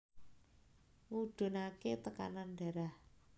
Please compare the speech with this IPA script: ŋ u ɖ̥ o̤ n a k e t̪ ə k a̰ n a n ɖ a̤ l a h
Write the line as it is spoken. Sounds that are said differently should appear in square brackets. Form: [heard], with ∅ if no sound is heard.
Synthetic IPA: ŋ u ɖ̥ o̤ n a k e t̪ ə k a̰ n a n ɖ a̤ [ɾ] a h